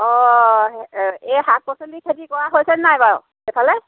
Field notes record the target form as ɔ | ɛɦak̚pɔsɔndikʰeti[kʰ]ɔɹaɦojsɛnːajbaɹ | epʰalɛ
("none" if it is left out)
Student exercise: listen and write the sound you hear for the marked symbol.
k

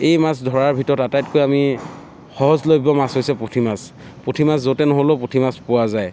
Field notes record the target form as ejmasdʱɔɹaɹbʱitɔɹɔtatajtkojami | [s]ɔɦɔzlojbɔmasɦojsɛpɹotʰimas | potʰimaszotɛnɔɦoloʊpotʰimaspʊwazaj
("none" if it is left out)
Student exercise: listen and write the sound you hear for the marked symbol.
x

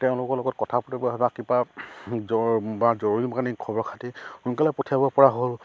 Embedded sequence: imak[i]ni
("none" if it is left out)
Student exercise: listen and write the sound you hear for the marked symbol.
a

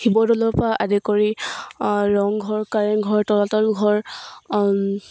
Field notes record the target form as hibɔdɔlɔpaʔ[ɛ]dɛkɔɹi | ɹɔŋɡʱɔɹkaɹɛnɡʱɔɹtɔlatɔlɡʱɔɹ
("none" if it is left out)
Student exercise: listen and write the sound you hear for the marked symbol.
a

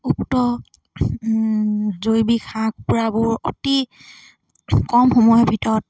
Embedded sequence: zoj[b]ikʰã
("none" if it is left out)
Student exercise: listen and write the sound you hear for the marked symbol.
b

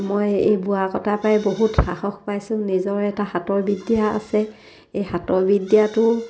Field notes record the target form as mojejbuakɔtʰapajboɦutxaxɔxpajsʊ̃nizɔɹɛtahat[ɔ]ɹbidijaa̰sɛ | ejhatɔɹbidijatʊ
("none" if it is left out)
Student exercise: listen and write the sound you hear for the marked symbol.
ɔ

